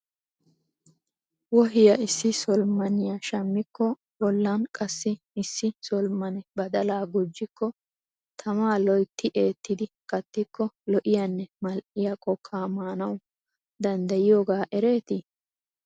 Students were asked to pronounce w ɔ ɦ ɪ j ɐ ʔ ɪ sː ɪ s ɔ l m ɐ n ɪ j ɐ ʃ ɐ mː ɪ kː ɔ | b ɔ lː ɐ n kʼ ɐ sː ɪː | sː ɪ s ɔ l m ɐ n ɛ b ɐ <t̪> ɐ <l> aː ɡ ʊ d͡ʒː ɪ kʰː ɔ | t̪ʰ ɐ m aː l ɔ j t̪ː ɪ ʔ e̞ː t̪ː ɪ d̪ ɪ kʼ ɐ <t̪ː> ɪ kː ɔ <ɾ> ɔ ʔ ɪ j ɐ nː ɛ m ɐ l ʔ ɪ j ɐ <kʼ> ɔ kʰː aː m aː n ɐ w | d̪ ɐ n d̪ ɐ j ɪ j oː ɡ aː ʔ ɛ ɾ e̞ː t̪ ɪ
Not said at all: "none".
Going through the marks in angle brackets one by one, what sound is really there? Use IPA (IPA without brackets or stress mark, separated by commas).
d̪, l, t̪ː, l, kʼ